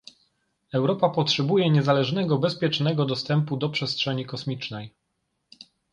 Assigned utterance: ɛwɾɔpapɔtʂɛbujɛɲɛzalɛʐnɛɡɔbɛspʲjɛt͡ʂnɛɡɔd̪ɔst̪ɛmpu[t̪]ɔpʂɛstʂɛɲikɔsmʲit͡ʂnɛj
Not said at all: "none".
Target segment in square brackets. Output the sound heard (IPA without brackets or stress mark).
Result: d̪